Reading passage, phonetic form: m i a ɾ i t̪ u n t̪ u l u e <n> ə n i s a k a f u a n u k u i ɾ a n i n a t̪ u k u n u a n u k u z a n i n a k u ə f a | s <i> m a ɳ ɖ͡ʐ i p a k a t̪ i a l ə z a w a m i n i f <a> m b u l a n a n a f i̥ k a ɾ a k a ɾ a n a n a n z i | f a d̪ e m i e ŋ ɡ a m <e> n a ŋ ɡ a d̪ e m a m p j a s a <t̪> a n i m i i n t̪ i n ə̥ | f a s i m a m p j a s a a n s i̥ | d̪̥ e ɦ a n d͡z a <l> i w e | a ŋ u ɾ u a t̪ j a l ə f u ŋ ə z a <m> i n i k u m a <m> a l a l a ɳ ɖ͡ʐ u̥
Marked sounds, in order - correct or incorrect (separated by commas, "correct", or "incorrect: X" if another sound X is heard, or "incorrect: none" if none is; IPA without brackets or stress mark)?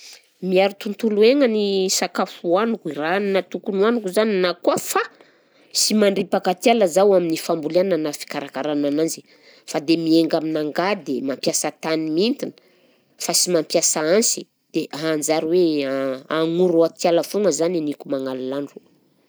incorrect: ŋ, correct, correct, incorrect: i, correct, incorrect: ɾ, incorrect: n, incorrect: ŋ